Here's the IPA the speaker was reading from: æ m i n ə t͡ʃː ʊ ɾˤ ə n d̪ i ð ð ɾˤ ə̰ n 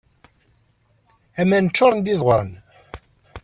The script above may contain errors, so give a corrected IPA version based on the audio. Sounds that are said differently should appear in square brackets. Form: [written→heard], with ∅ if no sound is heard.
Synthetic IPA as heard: æ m [i→æ] n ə t͡ʃː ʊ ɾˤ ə n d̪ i ð [ð→ʁ] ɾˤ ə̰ n